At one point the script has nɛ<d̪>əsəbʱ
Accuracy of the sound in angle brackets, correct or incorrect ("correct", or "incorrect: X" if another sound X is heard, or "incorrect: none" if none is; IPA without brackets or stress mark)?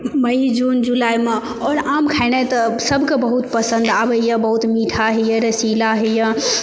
incorrect: t̪